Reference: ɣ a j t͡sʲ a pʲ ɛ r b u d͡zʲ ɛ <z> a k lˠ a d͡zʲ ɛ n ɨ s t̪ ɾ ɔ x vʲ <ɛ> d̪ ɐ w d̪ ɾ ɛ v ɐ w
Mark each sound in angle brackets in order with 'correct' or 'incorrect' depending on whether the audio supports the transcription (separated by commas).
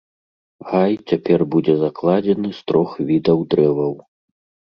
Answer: correct, incorrect